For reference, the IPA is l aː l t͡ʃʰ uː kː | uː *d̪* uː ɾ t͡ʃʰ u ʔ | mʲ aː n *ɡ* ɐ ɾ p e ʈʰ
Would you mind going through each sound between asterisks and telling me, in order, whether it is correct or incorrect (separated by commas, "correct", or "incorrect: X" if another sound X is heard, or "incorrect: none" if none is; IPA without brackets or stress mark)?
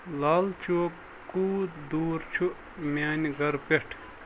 correct, correct